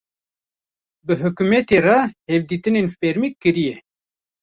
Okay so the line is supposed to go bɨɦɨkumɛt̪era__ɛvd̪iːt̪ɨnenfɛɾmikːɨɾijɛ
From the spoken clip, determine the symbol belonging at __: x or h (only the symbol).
h